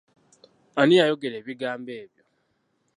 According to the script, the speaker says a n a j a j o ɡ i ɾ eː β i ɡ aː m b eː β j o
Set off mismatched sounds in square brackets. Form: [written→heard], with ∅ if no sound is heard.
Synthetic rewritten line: a n [a→i] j a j o ɡ [i→e] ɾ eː β i ɡ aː m b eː β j o